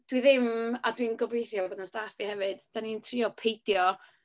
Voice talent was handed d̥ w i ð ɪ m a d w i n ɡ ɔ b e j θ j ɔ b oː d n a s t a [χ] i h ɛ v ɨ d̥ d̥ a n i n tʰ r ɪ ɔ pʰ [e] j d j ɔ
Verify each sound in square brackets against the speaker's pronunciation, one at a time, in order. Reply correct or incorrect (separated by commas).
incorrect, correct